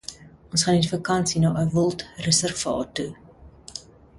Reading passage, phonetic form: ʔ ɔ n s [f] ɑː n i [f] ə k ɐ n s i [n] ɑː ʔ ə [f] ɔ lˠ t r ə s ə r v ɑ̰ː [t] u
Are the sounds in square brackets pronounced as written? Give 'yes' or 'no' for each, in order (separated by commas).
no, yes, yes, no, yes